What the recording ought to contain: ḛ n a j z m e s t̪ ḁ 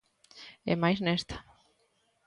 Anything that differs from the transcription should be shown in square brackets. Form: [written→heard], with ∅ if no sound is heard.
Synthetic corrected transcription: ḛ [n→m] a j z [m→n] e s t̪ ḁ